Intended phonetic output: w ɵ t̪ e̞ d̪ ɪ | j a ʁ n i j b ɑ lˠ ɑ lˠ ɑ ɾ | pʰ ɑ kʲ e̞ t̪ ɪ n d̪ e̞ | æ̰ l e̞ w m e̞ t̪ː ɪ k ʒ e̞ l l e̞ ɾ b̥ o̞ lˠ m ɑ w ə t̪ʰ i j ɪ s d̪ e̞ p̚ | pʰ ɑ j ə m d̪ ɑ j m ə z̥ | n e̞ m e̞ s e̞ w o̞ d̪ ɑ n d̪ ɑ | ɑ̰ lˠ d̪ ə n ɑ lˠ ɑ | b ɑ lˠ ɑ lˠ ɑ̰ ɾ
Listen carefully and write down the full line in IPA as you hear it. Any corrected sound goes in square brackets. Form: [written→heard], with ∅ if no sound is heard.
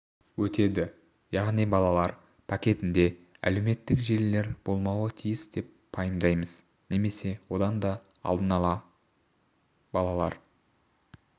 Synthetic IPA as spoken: w ɵ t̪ e̞ d̪ ɪ | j [a→ɑ] ʁ n i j b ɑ lˠ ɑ lˠ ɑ ɾ | pʰ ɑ kʲ e̞ t̪ ɪ n d̪ e̞ | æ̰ l e̞ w m e̞ t̪ː ɪ k ʒ e̞ l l e̞ ɾ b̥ o̞ lˠ m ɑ w ə t̪ʰ i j ɪ s d̪ e̞ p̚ | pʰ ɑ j ə m d̪ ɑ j m ə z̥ | n e̞ m e̞ s e̞ w o̞ d̪ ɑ n d̪ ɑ | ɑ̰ lˠ d̪ ə n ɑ lˠ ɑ | b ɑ lˠ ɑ lˠ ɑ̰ ɾ